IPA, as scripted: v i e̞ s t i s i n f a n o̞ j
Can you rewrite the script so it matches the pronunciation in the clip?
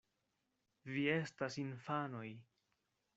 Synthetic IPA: v i e̞ s t a s i n f a n o̞ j

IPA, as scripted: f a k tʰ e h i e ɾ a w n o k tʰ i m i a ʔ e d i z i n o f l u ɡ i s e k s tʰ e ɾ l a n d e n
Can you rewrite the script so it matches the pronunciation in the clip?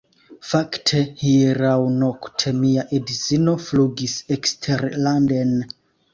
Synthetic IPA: f a k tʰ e h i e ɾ a w n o k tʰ e m i a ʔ e d i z i n o f l u ɡ i s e k s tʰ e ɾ l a n d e n

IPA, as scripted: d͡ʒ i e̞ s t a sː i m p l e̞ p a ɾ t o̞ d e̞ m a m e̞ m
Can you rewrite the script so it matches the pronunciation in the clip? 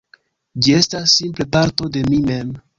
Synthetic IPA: d͡ʒ i e̞ s t a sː i m p l e̞ p a ɾ t o̞ d e̞ m i m e̞ m

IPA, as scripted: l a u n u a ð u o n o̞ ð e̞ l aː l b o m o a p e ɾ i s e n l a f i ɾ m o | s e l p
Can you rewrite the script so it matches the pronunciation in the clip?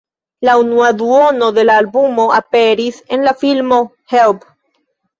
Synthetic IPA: l a u n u a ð u o n o̞ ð e̞ l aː l b u m o a p e ɾ i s e n l a f i l m o | h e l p

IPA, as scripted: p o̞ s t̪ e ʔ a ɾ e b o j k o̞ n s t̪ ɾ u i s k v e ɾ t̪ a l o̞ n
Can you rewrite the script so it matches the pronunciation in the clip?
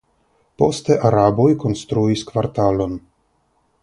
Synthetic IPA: p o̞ s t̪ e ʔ a ɾ a b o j k o̞ n s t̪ ɾ u i s k v a ɾ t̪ a l o̞ n

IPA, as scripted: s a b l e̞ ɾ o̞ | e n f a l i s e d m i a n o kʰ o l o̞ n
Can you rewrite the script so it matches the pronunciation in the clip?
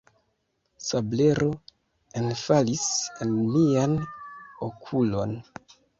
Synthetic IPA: s a b l e̞ ɾ o̞ | e n f a l i s e n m i a n o kʰ u l o̞ n

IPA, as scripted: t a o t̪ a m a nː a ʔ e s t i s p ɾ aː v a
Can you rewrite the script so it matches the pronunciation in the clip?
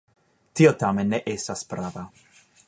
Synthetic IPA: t i o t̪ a m e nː e ʔ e s t a s p ɾ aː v a

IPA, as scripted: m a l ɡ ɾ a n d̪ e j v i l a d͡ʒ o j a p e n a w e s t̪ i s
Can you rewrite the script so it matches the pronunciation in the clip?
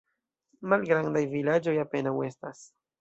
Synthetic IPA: m a l ɡ ɾ a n d̪ a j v i l a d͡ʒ o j a p e n a w e s t̪ a s

